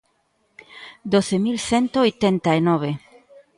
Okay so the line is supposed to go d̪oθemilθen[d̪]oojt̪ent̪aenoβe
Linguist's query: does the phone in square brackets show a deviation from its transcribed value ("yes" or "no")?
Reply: yes